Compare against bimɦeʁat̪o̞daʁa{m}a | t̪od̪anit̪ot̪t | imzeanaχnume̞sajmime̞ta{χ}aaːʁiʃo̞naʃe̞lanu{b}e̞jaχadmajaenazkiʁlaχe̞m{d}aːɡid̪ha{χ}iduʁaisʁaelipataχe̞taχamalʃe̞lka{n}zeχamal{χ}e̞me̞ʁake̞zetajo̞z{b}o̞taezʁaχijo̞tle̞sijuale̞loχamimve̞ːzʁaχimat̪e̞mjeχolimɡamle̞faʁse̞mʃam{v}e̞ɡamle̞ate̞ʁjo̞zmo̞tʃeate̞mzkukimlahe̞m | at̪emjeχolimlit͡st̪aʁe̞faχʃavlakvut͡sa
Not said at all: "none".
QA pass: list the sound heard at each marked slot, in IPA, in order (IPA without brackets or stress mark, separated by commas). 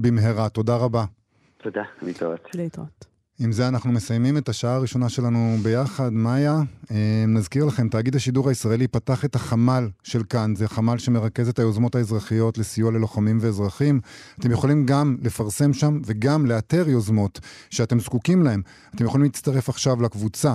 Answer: b, ʃ, b, t, ʃ, n, ʃ, m, v